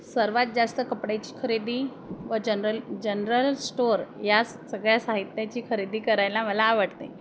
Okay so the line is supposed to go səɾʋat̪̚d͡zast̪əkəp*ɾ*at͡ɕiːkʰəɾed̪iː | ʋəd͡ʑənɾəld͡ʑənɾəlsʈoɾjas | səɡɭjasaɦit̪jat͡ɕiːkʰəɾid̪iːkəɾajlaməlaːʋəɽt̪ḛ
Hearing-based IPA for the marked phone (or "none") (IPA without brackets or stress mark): ɽ